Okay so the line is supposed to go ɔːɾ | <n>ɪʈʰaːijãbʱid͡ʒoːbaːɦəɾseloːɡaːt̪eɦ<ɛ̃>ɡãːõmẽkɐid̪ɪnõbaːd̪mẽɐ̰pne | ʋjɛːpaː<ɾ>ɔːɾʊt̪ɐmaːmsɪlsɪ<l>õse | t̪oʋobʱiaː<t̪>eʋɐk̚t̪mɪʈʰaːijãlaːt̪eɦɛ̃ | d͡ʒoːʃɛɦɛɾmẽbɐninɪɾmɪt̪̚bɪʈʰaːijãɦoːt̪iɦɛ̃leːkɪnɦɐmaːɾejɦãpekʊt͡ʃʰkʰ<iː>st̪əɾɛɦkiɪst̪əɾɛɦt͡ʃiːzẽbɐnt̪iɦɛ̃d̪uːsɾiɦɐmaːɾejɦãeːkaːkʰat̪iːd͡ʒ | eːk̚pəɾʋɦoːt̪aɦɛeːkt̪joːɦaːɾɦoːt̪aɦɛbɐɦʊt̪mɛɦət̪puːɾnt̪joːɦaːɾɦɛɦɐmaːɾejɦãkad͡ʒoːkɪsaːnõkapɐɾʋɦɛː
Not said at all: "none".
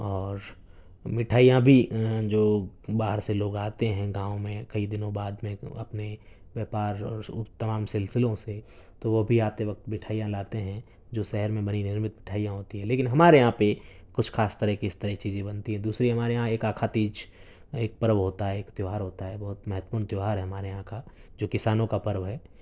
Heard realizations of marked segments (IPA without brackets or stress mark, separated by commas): m, ɛ̃, ɾ, l, t̪, aː